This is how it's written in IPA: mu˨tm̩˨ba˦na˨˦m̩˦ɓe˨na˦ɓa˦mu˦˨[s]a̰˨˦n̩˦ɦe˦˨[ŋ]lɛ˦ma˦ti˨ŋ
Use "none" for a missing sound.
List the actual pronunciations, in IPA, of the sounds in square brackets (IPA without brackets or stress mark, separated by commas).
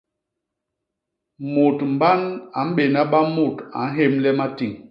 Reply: t, m